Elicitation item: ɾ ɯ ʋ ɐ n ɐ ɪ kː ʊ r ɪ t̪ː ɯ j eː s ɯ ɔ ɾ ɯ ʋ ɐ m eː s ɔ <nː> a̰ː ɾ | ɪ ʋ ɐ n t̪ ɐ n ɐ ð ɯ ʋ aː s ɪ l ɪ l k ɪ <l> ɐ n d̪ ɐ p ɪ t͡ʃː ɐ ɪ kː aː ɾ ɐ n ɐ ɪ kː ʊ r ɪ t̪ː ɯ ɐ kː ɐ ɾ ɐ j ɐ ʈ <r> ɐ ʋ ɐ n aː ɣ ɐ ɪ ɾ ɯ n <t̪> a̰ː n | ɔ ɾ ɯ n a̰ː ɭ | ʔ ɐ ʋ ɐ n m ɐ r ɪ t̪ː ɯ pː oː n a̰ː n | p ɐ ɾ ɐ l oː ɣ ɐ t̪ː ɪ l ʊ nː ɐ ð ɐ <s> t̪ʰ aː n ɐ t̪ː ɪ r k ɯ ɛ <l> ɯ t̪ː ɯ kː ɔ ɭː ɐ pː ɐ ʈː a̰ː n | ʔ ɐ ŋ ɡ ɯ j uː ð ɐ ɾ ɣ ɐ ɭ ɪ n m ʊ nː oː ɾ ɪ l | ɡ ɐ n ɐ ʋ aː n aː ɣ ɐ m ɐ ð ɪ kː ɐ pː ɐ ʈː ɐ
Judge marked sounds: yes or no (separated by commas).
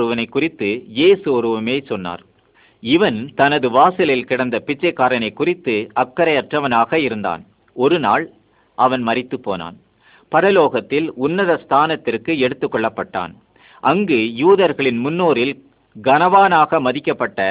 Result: yes, no, yes, no, yes, no